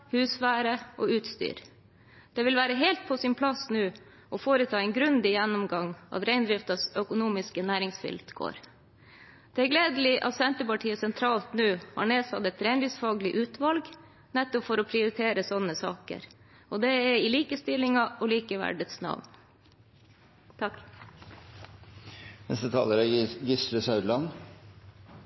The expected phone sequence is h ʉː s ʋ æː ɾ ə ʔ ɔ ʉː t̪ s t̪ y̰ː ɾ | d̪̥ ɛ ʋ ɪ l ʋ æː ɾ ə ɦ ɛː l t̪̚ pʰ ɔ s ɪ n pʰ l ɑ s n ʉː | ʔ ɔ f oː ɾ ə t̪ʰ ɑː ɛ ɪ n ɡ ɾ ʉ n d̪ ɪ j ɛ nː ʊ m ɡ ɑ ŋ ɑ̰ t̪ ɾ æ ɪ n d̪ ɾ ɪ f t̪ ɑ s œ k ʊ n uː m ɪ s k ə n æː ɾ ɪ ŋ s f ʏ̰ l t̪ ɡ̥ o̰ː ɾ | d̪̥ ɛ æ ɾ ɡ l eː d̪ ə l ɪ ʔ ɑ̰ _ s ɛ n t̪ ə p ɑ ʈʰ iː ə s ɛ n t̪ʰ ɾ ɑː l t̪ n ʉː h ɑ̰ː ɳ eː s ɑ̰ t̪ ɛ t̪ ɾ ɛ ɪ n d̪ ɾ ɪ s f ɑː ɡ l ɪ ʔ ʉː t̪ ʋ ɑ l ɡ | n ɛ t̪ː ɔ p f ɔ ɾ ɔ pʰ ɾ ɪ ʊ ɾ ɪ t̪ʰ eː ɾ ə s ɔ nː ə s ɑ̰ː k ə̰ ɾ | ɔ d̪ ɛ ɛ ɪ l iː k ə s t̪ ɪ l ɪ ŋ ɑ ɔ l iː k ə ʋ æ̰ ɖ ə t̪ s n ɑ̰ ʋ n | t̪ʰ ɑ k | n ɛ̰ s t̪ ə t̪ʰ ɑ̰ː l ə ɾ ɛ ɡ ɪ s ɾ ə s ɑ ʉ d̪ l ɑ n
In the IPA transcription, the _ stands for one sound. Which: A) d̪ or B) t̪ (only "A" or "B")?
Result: B